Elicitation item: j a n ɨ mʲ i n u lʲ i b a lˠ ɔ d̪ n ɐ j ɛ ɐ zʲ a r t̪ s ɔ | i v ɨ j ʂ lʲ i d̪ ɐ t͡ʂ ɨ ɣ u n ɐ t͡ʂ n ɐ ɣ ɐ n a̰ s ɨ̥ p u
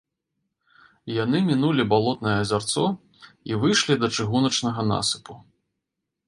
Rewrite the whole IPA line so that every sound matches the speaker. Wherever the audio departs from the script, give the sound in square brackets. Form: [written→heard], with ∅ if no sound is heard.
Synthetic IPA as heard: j a n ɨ mʲ i n u lʲ i b a lˠ ɔ [d̪→t̪] n ɐ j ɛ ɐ zʲ a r t̪ s ɔ | i v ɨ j ʂ lʲ i d̪ ɐ t͡ʂ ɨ ɣ u n ɐ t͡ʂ n ɐ ɣ ɐ n a̰ s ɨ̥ p u